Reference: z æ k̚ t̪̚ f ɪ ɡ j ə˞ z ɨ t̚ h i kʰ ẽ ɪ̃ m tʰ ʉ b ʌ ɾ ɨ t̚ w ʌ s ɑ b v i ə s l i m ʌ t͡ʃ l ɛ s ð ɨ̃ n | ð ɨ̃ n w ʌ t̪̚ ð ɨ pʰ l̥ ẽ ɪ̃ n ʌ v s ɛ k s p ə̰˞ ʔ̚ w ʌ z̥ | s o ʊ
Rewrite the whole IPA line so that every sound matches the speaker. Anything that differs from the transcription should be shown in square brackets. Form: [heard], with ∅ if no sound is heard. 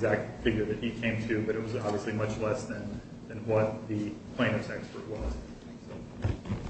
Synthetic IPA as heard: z æ k̚ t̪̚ f ɪ ɡ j ə˞ [ð] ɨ t̚ h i kʰ ẽ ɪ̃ m tʰ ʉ b ʌ ɾ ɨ t̚ w ʌ [z] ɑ b v i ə s l i m ʌ t͡ʃ l ɛ s ð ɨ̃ n | ð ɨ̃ n w ʌ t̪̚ ð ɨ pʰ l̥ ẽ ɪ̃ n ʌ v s ɛ k s p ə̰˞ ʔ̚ w ʌ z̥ | s o ʊ